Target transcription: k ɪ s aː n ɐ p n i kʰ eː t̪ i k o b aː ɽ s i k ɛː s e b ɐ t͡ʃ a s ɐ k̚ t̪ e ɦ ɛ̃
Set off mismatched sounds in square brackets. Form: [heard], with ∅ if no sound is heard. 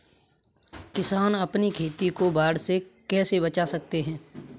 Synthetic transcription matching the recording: k ɪ s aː n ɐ p n i kʰ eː t̪ i k o b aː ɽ s [e] k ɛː s e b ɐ t͡ʃ a s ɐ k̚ t̪ e ɦ [ɛ̃ː]

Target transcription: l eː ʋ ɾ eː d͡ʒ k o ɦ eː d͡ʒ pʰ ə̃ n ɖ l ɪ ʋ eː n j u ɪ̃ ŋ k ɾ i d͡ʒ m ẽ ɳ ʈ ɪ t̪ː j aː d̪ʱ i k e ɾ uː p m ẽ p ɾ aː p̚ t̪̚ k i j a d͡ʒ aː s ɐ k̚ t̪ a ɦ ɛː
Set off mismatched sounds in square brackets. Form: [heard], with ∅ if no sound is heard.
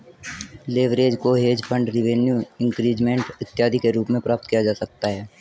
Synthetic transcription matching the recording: l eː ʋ ɾ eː d͡ʒ k o ɦ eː d͡ʒ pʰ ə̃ [ɳ] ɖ [ɾ] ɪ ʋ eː n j u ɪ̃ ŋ k ɾ [iː] d͡ʒ m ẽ ɳ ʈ ɪ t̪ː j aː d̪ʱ i k e ɾ uː p m ẽ p ɾ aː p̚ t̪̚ k i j a d͡ʒ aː s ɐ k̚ t̪ a ɦ ɛː

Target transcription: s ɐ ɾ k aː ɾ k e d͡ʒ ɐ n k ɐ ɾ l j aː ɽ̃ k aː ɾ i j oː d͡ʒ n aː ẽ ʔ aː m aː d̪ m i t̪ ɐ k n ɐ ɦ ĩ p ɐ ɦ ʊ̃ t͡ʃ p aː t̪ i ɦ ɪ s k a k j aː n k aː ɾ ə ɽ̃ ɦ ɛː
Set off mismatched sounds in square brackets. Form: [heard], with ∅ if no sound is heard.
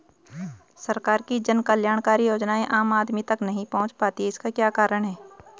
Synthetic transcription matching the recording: s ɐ ɾ k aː ɾ k [i] d͡ʒ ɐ n k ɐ [∅] l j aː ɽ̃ k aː ɾ i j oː d͡ʒ n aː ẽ ʔ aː m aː d̪ m i t̪ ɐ k n ɐ ɦ ĩ p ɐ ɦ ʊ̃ t͡ʃ p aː t̪ i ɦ ɪ s k a k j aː [∅] k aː ɾ ə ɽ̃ ɦ ɛː

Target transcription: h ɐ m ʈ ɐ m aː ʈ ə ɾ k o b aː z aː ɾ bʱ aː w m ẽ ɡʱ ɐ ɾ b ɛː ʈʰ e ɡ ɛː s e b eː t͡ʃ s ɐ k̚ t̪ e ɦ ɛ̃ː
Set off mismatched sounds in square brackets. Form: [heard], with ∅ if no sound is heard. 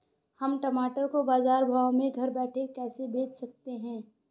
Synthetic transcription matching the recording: h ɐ m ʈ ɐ m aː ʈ ə ɾ k o b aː z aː ɾ bʱ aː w m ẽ ɡʱ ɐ ɾ b ɛː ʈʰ e [k] ɛː s e b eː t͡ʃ s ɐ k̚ t̪ e ɦ ɛ̃ː

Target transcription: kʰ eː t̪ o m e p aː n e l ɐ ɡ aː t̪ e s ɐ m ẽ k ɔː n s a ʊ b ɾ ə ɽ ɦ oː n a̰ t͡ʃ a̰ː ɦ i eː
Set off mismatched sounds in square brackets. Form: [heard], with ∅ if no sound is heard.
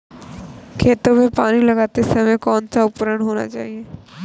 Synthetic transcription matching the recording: kʰ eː t̪ o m e p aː n [i] l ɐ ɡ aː t̪ e s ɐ m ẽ k ɔː n s a ʊ [p] ɾ ə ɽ ɦ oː n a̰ t͡ʃ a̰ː ɦ i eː

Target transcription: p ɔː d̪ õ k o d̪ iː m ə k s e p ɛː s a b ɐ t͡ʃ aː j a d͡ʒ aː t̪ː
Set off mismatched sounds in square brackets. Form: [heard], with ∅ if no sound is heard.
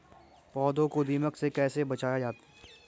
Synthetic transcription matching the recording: p ɔː d̪ õ k o d̪ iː m ə k s e [k] ɛː s [e] b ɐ t͡ʃ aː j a d͡ʒ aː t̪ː

